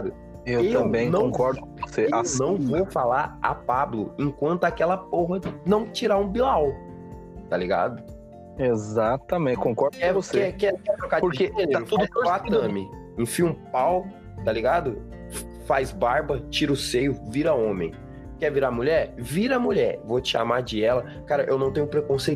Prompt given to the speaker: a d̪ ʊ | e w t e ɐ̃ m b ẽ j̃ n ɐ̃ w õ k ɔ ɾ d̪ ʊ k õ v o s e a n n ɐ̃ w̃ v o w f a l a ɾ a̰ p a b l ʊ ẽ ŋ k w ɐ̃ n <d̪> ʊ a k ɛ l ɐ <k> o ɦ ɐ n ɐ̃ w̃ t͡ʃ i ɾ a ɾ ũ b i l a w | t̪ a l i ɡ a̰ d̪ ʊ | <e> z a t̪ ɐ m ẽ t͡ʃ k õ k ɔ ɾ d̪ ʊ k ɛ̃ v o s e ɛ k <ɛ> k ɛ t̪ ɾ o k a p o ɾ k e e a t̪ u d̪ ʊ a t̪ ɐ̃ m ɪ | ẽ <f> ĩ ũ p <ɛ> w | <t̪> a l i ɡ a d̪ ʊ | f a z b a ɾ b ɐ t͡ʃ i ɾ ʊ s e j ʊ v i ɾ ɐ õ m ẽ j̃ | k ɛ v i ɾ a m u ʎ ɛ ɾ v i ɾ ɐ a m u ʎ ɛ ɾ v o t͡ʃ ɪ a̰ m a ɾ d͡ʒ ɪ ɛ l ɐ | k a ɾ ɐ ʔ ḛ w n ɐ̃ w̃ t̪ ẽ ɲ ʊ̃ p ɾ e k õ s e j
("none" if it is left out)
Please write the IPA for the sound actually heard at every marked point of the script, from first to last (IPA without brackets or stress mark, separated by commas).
t̪, p, e, ɛ, f, a, t̪